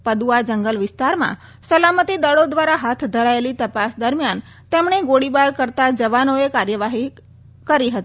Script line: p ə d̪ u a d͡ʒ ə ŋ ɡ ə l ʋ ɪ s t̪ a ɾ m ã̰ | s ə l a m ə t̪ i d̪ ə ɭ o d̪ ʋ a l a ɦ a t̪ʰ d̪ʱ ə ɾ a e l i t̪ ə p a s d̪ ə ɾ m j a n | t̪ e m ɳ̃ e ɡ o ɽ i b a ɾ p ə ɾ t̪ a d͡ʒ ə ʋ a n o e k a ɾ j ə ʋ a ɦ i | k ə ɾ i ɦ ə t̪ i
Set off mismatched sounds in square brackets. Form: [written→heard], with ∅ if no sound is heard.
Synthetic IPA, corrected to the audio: p ə d̪ u a d͡ʒ ə ŋ ɡ ə l ʋ ɪ s t̪ a ɾ m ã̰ | s ə l a m ə t̪ i d̪ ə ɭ o d̪ ʋ a [l→ɾ] a ɦ a t̪ʰ d̪ʱ ə ɾ a e l i t̪ ə p a s d̪ ə ɾ m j a n | t̪ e m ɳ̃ e ɡ o ɽ i b a ɾ [p→k] ə ɾ t̪ a d͡ʒ ə ʋ a n o e k a ɾ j ə ʋ a ɦ i | k ə ɾ i ɦ ə t̪ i